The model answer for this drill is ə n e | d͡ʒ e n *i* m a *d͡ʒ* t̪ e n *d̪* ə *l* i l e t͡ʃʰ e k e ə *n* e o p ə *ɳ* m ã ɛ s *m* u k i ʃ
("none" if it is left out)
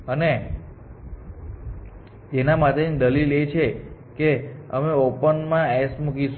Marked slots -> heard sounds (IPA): a, none, d̪, l, m, n, m

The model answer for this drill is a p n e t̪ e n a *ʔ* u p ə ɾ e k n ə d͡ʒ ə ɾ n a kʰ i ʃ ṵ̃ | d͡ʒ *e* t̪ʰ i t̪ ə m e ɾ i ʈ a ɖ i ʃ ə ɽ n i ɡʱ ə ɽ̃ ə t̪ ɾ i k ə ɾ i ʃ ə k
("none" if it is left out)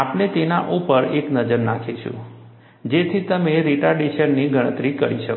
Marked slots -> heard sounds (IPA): ʔ, e

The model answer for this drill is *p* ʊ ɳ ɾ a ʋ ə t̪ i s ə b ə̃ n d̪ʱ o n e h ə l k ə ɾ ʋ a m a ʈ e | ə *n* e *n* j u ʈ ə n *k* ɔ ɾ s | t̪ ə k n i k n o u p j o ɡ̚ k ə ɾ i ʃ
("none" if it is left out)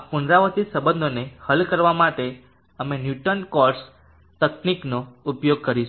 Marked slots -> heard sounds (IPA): p, m, n, k

